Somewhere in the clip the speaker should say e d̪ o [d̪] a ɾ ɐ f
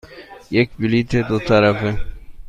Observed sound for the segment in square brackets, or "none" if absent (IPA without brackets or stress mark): t̪